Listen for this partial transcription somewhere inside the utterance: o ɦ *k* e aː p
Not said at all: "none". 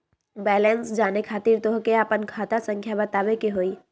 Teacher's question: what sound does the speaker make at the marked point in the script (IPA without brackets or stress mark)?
k